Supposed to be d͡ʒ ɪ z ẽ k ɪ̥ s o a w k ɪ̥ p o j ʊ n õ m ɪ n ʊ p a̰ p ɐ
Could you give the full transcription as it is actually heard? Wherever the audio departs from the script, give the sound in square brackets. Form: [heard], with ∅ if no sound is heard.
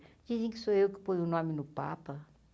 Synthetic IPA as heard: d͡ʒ [i] z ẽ k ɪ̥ s o [e] w k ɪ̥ p o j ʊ n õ m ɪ n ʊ p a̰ p ɐ